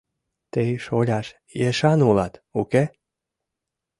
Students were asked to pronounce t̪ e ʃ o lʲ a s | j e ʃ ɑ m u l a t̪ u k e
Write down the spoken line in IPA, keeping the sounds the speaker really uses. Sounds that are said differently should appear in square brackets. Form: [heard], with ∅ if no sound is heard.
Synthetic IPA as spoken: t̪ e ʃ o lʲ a [ʃ] | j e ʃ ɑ [n] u l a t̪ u k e